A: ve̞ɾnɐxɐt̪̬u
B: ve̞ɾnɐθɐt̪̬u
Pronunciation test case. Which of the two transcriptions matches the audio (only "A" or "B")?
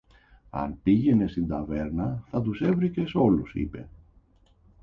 B